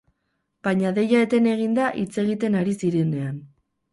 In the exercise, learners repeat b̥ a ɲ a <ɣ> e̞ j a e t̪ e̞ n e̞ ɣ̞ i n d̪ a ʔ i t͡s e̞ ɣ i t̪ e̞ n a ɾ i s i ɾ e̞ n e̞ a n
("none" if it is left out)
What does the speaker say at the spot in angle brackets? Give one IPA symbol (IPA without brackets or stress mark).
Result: ð